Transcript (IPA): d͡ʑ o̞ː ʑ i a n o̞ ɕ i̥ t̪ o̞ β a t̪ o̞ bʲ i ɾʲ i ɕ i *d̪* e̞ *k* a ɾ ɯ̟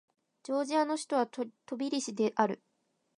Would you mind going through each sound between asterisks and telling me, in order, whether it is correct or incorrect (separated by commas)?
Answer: correct, incorrect